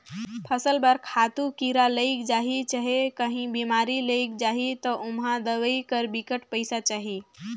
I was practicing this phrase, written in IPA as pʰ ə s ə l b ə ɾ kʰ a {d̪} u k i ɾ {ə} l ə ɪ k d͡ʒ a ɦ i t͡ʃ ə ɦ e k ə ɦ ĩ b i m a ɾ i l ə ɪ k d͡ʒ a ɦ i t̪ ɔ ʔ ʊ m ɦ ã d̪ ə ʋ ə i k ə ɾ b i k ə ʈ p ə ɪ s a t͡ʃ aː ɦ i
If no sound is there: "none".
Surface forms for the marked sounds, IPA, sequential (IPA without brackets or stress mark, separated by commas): t̪, a